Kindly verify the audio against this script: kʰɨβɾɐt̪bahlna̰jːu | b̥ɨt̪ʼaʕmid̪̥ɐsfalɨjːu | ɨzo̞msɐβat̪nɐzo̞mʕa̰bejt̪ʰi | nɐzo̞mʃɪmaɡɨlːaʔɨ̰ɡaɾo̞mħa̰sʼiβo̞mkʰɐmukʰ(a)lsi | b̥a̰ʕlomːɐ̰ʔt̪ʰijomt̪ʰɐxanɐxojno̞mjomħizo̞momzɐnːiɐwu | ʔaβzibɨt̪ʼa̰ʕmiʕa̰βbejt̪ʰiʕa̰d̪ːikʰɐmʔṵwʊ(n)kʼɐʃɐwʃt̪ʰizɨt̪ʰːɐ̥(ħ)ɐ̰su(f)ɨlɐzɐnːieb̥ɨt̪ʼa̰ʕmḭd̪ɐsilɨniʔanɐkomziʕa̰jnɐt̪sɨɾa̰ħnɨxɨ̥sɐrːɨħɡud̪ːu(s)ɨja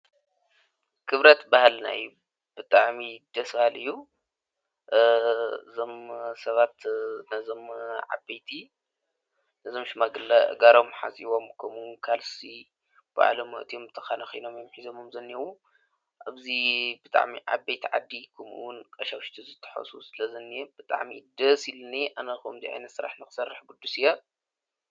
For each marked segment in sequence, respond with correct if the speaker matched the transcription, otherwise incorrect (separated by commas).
correct, correct, correct, incorrect, correct